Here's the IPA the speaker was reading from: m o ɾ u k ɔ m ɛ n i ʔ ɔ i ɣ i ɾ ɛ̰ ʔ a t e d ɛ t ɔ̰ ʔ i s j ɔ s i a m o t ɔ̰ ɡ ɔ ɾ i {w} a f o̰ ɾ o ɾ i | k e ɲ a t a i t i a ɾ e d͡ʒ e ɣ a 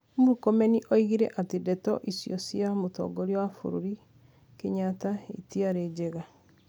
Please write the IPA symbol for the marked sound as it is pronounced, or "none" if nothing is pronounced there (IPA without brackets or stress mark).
w